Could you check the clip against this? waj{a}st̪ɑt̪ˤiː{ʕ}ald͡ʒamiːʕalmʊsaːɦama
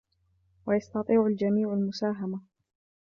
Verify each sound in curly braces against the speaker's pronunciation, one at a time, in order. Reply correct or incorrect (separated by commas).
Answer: incorrect, correct